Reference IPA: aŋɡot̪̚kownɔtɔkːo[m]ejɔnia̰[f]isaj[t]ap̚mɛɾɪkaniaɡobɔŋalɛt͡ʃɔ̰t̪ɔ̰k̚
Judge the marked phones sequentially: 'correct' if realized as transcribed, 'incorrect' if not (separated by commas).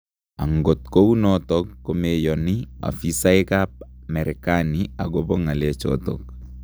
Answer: correct, correct, incorrect